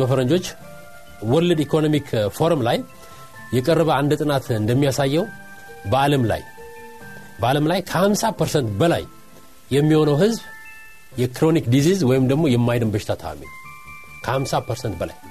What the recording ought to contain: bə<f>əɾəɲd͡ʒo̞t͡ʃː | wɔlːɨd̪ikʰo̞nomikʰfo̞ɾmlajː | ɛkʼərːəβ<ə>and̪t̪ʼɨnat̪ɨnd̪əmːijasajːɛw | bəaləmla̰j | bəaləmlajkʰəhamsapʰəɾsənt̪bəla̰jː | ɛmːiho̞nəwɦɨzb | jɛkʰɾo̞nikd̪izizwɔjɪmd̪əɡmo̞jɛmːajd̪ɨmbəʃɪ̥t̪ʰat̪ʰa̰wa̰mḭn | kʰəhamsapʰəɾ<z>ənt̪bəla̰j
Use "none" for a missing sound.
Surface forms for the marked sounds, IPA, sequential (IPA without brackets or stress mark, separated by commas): f, ə, s